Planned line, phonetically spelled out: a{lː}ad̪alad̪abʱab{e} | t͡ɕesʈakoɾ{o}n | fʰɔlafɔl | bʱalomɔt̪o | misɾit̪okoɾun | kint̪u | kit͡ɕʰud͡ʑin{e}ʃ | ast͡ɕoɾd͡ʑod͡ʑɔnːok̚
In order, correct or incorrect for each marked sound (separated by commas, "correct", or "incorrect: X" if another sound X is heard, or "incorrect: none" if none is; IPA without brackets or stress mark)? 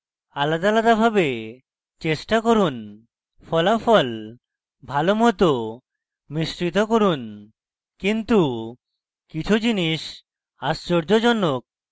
incorrect: l, correct, incorrect: u, incorrect: i